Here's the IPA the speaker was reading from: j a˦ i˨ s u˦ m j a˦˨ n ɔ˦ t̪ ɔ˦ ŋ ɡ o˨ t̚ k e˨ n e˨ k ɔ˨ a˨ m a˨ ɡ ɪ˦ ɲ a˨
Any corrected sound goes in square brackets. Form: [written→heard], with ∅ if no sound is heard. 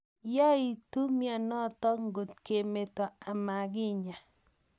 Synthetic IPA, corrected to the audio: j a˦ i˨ [s→t] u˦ m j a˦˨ n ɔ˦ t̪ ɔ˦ ŋ ɡ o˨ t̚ k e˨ [n→m] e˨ [k→t] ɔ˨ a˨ m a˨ ɡ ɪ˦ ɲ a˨